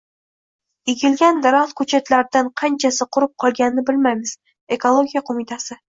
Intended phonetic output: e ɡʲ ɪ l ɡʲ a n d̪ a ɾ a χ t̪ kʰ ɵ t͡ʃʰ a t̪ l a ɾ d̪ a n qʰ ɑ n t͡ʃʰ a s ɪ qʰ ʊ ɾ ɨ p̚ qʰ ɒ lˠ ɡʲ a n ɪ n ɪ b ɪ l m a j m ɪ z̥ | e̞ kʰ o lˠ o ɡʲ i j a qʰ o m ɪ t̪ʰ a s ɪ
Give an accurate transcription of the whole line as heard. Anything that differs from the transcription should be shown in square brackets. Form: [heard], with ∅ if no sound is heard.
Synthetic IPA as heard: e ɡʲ ɪ l ɡʲ a n d̪ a ɾ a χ t̪ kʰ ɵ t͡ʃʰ a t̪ l a ɾ d̪ a n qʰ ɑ n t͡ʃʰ a s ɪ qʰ ʊ ɾ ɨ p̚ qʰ ɒ lˠ ɡʲ a n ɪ n ɪ b ɪ l m a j m ɪ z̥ | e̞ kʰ o lˠ o ɡʲ i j a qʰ o m ɪ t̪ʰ a s ɪ